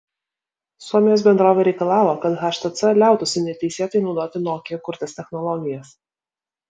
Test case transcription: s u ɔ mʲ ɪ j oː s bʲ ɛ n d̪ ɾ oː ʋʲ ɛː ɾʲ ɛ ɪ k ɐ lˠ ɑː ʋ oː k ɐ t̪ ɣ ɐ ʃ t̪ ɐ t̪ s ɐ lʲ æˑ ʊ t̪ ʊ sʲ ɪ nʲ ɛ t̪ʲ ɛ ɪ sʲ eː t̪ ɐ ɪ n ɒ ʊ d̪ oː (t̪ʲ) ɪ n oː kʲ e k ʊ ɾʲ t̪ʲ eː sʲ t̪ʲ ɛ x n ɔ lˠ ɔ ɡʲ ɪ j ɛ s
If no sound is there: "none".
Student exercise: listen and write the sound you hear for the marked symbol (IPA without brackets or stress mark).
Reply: t̪ʲ